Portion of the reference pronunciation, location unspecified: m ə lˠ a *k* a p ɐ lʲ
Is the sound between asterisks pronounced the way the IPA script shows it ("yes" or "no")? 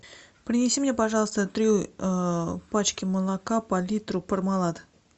yes